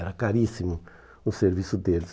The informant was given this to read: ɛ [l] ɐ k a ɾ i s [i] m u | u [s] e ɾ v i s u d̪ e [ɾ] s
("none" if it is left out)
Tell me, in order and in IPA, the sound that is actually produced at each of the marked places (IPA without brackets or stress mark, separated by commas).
ɾ, i, s, l